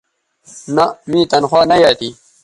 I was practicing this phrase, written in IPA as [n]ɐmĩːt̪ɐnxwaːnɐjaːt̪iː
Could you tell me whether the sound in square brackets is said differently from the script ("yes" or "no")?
no